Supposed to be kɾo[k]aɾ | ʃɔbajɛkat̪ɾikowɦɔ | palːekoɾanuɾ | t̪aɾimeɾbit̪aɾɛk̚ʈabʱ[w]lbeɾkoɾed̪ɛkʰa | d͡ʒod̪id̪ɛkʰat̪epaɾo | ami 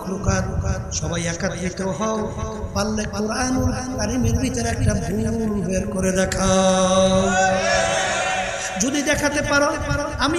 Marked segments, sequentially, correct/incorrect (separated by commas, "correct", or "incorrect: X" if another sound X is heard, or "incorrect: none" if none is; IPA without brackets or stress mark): correct, incorrect: u